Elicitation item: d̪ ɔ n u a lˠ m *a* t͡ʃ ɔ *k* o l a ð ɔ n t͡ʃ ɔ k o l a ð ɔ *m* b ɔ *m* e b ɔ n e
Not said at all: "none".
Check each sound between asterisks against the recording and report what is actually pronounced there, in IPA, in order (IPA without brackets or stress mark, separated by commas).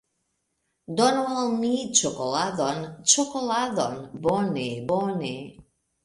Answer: i, k, n, n